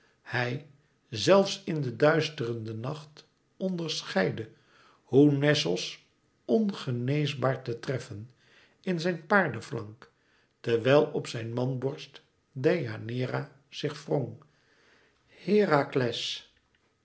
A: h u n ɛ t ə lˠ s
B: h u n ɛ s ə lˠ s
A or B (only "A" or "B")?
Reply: B